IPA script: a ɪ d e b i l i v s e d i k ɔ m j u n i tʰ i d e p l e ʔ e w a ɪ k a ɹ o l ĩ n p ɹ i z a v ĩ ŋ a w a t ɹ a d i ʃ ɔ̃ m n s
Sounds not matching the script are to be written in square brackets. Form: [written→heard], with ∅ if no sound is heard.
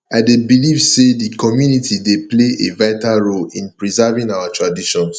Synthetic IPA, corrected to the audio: a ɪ d e b i l i v s e d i k ɔ m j u n i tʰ i d e p l e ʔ e [w→v] a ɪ [k→t] a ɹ o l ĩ n p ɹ i z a v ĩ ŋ a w a t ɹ a d i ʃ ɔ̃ [m→∅] n s